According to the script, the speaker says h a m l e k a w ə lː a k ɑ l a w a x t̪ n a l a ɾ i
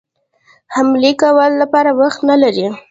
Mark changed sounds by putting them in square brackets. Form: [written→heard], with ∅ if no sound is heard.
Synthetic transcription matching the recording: h a m l e k a w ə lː a [k→p] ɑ [l→ɾ] a w a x t̪ n a l a ɾ i